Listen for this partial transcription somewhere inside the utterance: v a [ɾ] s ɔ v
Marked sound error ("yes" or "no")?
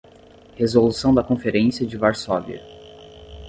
no